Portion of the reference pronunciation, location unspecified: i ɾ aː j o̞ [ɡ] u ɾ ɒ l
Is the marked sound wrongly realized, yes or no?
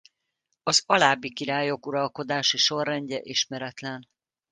yes